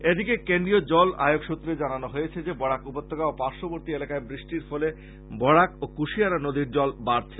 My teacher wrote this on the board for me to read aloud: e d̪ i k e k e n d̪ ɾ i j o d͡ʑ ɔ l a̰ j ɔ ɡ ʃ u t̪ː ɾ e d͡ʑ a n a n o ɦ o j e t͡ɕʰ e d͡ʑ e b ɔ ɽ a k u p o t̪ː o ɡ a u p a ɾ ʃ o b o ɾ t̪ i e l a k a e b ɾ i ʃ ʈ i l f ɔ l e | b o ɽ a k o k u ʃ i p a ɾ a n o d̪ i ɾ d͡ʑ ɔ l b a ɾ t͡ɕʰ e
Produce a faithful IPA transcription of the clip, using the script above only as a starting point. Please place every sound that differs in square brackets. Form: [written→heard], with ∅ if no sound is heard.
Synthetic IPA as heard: e d̪ i k e k e n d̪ ɾ i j o d͡ʑ ɔ l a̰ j [ɔ→o] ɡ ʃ u t̪ː ɾ e d͡ʑ a n a n o ɦ o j e t͡ɕʰ e d͡ʑ e b ɔ ɽ a k u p o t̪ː o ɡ a [u→o] p a ɾ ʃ o b o ɾ t̪ i e l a k a e b ɾ i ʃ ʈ i [l→ɾ] f ɔ l e | b [o→ɔ] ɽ a k o k u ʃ i [p→∅] a ɾ a n o d̪ i ɾ d͡ʑ ɔ l b a ɾ t͡ɕʰ e